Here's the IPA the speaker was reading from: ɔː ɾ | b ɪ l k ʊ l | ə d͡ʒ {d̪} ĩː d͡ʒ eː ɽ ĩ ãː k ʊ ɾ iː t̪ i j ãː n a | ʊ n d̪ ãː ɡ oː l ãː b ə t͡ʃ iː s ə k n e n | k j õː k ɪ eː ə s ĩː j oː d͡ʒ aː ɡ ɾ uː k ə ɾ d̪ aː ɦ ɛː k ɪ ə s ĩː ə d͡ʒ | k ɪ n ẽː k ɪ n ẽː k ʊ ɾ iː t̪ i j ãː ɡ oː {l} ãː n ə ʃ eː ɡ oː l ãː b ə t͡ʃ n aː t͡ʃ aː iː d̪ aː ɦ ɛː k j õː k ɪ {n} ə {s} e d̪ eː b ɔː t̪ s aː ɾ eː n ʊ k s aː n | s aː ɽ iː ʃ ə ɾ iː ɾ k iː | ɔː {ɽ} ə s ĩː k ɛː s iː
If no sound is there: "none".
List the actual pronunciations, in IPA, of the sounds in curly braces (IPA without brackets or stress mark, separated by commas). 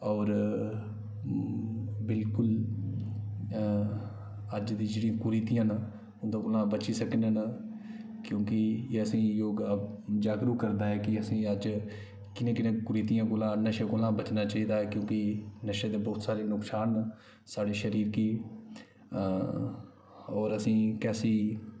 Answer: d̪, l, n, ʃ, ɾ